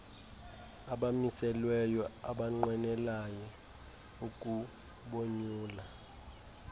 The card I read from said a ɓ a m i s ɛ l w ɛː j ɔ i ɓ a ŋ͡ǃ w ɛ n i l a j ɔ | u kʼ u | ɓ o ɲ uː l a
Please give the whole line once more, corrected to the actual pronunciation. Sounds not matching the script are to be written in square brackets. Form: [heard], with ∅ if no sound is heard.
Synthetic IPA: a ɓ a m i s ɛ l w [ɛ] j ɔ [a] ɓ a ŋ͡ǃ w ɛ n [ɛ] l a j ɔ | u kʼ u | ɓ o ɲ uː l a